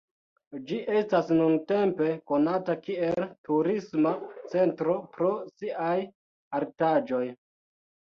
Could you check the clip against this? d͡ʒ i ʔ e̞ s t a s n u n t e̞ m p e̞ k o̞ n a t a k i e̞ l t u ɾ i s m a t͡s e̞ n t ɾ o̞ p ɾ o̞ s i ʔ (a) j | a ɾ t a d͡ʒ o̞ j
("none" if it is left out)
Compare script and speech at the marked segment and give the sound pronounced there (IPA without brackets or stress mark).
a